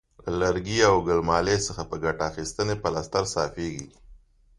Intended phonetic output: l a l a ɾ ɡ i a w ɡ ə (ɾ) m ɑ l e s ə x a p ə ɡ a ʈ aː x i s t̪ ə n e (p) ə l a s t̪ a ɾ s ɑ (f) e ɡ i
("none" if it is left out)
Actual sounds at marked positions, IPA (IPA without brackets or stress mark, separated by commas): l, p, f